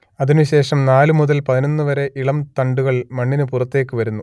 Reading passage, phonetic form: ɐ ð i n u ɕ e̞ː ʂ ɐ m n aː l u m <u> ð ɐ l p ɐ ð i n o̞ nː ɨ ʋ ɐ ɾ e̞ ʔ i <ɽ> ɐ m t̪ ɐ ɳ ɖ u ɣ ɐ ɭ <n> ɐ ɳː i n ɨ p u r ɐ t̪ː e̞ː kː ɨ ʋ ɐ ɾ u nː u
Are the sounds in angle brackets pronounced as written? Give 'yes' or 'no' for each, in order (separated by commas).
yes, no, no